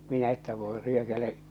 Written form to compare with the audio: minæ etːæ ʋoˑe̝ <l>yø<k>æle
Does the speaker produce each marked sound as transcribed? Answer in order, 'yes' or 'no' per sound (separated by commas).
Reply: no, yes